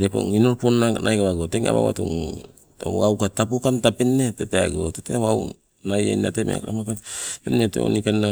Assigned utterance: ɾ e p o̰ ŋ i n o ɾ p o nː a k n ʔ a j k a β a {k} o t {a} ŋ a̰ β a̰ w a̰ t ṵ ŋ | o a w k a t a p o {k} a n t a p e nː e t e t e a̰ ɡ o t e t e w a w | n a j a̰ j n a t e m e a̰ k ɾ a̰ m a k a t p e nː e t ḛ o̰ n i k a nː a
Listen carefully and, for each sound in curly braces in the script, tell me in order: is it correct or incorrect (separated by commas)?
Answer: incorrect, incorrect, correct